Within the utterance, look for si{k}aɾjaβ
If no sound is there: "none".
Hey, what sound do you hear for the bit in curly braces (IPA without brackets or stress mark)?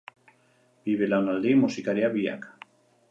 k